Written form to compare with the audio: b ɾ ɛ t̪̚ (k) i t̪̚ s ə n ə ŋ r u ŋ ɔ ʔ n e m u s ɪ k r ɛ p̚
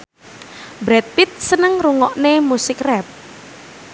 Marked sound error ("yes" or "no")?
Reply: yes